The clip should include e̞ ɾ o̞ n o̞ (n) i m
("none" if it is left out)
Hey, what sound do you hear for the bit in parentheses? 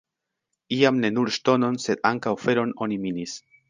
n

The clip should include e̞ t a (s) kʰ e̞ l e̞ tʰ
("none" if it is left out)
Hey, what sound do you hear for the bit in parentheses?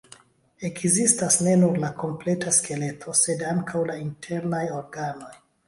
s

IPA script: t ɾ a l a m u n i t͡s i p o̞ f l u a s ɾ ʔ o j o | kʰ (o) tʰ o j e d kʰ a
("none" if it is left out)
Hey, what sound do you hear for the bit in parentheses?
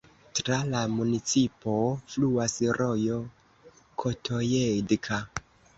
o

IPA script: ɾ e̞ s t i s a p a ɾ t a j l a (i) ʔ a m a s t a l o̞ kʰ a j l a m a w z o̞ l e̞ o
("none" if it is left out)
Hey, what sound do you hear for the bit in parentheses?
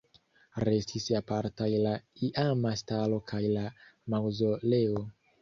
i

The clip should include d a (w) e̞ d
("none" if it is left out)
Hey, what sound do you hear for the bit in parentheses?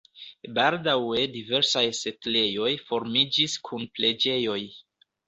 w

